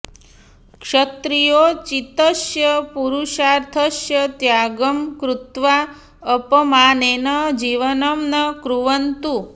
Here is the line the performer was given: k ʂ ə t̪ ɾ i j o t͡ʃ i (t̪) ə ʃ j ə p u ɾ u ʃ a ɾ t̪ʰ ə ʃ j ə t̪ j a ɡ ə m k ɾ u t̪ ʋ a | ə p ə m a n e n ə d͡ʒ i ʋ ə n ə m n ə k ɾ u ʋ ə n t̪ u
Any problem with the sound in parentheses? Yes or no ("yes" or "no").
no